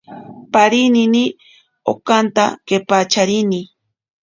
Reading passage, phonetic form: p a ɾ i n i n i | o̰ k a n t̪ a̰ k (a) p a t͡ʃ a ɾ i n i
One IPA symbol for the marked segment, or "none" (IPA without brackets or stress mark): e